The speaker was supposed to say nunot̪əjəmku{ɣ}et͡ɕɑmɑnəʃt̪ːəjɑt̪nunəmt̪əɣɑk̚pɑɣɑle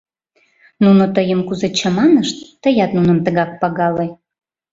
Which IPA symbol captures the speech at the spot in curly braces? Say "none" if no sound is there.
z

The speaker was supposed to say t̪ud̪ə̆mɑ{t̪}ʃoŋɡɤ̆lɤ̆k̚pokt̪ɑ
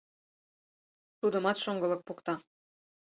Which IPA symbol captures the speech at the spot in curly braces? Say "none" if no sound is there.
t̪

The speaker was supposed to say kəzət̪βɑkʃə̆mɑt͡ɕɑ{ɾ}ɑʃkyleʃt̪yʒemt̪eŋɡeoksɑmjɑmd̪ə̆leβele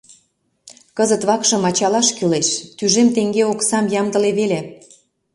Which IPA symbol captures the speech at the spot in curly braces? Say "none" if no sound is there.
l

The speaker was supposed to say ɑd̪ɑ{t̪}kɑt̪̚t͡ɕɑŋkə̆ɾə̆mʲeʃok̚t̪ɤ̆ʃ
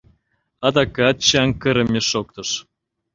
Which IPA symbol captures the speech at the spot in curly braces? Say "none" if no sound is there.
none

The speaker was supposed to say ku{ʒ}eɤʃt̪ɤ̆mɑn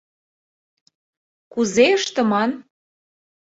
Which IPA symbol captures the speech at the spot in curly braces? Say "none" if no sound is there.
z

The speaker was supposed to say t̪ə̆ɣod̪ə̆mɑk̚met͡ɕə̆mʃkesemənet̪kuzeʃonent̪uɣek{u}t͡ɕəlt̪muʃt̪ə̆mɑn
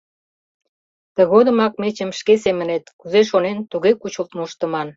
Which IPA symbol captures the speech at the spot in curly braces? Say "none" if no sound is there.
u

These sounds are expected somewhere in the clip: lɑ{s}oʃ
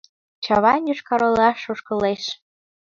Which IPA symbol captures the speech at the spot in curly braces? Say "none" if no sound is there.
ʃ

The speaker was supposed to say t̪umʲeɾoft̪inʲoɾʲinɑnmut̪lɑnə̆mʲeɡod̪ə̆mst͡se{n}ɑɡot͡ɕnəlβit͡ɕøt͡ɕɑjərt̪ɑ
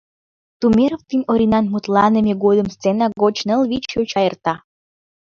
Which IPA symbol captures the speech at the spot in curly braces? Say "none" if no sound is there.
n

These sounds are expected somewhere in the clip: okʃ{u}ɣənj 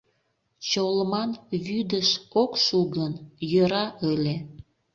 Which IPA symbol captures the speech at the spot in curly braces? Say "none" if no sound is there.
u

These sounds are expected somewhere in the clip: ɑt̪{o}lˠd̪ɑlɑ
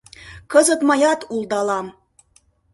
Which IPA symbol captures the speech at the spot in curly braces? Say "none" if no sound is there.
u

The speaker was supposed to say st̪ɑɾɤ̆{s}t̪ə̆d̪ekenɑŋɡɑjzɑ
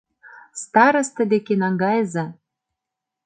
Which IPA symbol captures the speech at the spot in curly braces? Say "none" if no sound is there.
s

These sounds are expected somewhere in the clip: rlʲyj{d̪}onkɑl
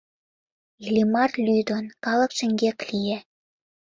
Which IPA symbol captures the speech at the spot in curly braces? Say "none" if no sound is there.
d̪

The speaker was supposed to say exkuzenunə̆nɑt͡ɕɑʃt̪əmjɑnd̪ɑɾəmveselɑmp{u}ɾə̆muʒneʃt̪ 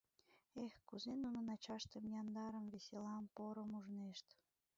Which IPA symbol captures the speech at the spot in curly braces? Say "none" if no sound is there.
o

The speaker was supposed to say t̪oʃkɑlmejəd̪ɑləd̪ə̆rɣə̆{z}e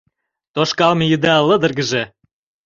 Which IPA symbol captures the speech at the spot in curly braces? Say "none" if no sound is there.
ʒ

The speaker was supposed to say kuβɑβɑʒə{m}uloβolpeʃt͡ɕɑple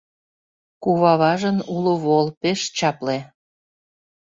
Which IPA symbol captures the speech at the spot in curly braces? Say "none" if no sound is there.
n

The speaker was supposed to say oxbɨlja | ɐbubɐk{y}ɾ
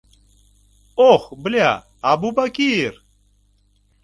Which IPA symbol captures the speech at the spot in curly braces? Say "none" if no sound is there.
i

